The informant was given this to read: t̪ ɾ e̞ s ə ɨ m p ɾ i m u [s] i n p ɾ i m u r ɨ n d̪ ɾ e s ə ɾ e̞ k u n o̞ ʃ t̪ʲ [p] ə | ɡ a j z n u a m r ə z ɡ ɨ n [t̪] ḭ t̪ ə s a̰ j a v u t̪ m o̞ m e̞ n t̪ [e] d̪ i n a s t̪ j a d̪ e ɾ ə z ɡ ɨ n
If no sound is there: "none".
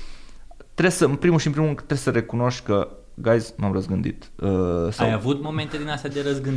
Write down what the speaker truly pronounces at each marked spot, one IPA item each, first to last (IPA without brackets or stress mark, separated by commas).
ʃ, k, d̪, e